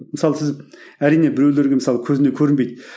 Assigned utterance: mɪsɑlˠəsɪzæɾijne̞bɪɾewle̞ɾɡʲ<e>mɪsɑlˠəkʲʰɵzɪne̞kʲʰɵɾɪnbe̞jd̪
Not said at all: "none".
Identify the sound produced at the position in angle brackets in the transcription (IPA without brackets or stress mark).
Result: e